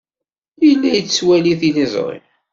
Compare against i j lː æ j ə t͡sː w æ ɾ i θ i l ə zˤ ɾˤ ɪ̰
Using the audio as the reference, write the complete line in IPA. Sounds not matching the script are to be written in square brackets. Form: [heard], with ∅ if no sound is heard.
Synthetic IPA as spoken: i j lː æ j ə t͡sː w æ [l] i θ i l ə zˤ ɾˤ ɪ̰